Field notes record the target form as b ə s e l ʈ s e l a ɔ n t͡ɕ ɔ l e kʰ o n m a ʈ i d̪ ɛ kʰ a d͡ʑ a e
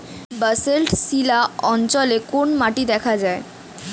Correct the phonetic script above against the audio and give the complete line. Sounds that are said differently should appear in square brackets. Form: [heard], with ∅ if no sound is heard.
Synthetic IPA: b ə s e l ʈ s [i] l a ɔ n t͡ɕ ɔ l e [k] o n m a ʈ i d̪ ɛ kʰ a d͡ʑ a e